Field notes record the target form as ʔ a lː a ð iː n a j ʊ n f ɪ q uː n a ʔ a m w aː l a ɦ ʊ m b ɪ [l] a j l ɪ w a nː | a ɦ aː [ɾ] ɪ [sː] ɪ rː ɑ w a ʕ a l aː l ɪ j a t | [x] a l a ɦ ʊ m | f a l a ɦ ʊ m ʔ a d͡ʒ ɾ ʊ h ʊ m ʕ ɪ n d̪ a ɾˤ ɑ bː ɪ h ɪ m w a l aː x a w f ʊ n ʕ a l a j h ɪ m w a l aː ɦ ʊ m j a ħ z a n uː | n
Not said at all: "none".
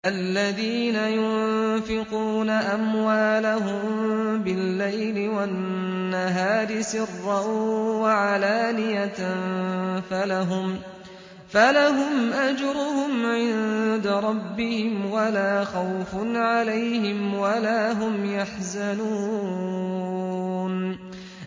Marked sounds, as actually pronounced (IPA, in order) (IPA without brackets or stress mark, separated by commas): lː, ɾ, s, f